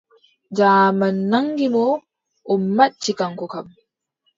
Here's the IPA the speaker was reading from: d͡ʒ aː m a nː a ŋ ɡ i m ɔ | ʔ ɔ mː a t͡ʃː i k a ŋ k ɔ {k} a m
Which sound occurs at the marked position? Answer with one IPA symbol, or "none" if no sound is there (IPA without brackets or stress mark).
k